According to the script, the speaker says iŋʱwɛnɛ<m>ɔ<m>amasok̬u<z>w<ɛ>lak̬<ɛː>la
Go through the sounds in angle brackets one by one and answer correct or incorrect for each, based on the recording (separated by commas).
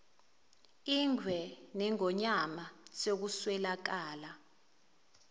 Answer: incorrect, incorrect, incorrect, correct, incorrect